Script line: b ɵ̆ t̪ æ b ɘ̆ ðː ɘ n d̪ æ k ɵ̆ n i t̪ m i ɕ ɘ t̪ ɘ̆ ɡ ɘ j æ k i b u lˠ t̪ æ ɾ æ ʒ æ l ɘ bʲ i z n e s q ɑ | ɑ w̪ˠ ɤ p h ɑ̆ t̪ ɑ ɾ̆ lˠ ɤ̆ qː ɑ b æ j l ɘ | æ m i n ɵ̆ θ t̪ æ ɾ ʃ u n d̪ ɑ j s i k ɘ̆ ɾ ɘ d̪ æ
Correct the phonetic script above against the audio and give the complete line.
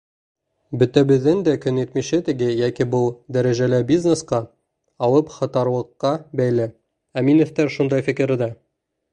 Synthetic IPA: b ɵ̆ t̪ æ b ɘ̆ ðː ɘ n d̪ æ k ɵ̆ n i t̪ m i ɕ ɘ t̪ ɘ̆ ɡ ɘ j æ k i b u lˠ d̪ æ ɾ æ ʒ æ l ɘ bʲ i z n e s q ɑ | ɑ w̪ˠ ɤ p χ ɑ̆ t̪ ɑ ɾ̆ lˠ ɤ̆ qː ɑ b æ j l ɘ | æ m i n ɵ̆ θ t̪ æ ɾ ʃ u n d̪ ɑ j f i k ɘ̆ ɾ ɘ d̪ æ